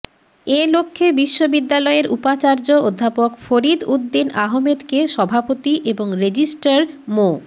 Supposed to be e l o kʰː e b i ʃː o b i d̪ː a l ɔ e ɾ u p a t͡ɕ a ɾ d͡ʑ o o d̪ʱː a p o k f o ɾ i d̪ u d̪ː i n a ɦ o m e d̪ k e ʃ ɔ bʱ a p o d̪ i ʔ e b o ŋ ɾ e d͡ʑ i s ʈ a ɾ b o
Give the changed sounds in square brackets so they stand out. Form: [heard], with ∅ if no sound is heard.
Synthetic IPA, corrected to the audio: e l o kʰː e b i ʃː o b i d̪ː a l ɔ e ɾ u p a t͡ɕ a ɾ d͡ʑ o o d̪ʱː a p o k f o ɾ i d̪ u d̪ː i n a ɦ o m e d̪ k e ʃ ɔ bʱ a p o [t̪] i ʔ e b o ŋ ɾ e d͡ʑ i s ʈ a ɾ [m] o